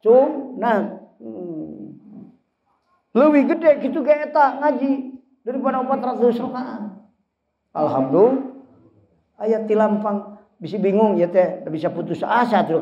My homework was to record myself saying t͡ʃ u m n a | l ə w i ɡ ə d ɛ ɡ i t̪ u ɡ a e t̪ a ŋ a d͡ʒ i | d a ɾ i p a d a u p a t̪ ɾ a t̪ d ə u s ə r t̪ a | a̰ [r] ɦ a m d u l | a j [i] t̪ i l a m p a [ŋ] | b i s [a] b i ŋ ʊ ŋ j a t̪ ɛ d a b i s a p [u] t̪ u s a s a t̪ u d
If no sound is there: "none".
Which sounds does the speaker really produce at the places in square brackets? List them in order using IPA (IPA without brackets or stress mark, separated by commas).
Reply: l, a, ŋ, i, u